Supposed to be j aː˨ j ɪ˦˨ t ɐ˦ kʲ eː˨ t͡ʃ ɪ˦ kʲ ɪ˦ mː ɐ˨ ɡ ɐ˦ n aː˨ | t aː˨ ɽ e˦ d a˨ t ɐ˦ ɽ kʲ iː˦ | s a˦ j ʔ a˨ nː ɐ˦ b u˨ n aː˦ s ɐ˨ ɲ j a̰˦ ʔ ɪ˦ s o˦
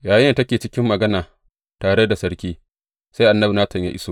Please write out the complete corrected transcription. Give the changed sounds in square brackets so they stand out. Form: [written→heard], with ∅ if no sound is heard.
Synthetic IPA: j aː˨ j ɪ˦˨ t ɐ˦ kʲ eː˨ t͡ʃ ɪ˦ kʲ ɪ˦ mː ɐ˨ ɡ ɐ˦ n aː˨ | t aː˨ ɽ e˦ d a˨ [t→s] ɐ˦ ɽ kʲ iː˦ | s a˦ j ʔ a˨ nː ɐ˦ b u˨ n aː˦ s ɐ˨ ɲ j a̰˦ ʔ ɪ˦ s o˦

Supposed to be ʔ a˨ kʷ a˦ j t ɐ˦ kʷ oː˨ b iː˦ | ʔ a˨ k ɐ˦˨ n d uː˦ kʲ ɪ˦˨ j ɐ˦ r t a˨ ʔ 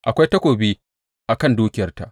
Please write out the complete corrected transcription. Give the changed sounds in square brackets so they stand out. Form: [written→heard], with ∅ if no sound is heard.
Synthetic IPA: ʔ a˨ kʷ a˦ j t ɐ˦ kʷ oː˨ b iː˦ | ʔ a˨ k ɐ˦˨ n d uː˦ kʲ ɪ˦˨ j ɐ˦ r t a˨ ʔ

